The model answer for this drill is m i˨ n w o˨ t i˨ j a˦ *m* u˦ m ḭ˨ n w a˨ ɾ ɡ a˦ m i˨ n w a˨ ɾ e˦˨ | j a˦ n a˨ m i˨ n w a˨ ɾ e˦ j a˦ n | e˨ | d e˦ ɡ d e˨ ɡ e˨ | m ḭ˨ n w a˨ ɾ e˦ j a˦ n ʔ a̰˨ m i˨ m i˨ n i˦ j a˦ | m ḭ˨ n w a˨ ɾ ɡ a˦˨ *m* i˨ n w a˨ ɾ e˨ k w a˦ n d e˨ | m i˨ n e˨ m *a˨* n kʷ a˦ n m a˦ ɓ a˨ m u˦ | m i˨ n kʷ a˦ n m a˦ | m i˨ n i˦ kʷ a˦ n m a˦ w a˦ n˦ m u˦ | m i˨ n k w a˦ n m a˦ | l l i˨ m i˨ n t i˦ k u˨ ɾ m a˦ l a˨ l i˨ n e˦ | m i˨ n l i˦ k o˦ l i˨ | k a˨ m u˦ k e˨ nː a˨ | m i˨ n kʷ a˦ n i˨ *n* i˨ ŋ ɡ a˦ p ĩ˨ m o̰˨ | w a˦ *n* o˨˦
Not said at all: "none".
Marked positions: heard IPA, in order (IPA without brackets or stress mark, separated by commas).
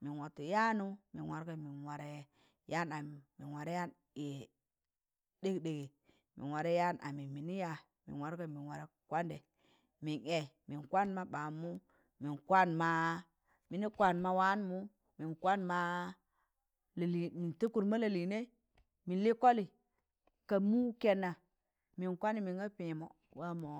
n, m, i˨, m, m